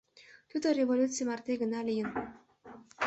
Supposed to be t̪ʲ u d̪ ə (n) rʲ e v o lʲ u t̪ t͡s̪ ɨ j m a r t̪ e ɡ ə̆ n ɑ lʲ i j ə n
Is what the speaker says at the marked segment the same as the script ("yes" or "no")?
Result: no